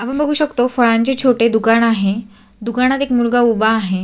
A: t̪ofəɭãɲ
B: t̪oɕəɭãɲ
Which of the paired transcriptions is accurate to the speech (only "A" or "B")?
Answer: A